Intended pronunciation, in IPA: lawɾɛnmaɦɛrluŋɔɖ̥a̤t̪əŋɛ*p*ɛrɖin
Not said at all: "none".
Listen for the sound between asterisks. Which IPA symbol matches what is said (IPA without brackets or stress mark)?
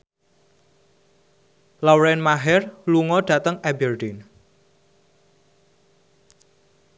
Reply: b